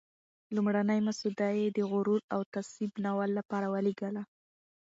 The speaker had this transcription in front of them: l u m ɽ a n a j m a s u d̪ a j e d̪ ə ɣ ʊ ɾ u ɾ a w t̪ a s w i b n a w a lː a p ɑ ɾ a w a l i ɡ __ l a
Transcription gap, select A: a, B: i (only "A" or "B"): A